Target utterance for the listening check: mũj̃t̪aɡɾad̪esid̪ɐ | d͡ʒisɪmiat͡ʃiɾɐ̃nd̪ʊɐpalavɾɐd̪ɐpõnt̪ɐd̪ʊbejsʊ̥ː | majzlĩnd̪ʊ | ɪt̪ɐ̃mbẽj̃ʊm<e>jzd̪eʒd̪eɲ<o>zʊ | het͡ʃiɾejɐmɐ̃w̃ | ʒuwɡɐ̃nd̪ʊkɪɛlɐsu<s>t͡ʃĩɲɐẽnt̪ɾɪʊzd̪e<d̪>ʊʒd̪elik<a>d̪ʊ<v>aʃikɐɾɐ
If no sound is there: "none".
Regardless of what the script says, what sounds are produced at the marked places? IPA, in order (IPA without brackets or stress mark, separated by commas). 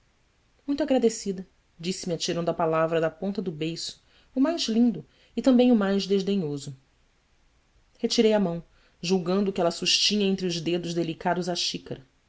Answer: a, o, ʃ, d̪, a, z